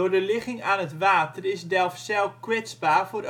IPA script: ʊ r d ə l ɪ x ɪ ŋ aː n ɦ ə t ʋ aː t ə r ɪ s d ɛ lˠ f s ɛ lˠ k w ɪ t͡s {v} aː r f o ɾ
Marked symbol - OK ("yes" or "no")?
no